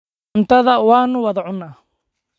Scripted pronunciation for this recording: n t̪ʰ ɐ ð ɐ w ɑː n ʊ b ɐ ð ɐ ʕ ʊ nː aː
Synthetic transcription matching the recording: n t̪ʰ ɐ ð ɐ w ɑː n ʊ w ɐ ð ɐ ʕ ʊ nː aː